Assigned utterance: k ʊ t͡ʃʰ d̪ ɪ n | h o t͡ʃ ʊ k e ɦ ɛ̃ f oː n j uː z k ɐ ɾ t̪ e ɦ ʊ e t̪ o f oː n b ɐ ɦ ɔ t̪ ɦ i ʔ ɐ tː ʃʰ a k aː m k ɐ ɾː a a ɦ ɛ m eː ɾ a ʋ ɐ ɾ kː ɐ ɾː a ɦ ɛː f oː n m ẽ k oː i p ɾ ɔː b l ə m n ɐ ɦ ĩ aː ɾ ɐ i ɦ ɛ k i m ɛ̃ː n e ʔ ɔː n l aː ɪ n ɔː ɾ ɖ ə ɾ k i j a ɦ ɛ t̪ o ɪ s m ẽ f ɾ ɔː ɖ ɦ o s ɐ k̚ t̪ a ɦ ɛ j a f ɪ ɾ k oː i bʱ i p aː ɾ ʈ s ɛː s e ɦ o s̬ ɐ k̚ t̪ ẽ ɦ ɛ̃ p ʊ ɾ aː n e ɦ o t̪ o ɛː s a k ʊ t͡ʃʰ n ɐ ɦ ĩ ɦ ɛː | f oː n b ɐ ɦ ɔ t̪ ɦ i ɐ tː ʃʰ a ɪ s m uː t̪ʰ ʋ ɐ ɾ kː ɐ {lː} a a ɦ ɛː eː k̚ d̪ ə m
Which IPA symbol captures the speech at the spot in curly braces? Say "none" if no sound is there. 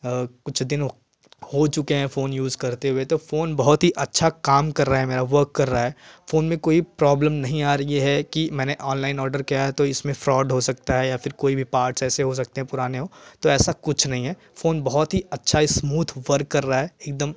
ɾː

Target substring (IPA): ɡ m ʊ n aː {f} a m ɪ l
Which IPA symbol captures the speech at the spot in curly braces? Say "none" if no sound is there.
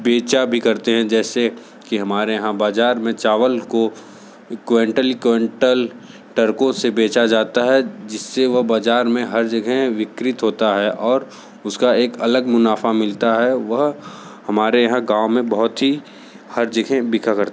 f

